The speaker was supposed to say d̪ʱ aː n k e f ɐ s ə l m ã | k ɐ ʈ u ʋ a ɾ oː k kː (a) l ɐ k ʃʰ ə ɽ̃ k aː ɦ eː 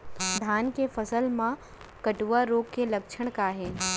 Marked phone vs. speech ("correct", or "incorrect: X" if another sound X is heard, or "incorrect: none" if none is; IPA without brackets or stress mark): incorrect: e